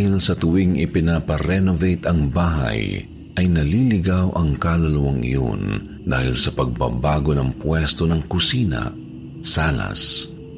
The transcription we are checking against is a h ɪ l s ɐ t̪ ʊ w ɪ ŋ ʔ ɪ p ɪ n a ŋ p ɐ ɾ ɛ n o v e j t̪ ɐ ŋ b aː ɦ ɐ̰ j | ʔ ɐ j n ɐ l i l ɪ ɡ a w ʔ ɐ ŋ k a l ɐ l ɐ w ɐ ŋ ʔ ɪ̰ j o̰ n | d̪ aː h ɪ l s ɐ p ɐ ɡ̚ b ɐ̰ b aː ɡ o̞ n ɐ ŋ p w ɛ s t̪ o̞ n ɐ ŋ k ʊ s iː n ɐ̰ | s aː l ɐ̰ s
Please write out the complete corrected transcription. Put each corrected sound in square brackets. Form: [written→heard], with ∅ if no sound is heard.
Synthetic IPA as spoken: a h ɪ l s ɐ t̪ ʊ w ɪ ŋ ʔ ɪ p ɪ n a [ŋ→∅] p ɐ ɾ ɛ n o v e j t̪ ɐ ŋ b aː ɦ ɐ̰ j | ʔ ɐ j n ɐ l i l ɪ ɡ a w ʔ ɐ ŋ k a l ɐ l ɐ w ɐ ŋ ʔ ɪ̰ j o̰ n | d̪ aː h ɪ l s ɐ p ɐ ɡ̚ b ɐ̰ b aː ɡ o̞ n ɐ ŋ p w ɛ s t̪ o̞ n ɐ ŋ k ʊ s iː n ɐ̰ | s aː l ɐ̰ s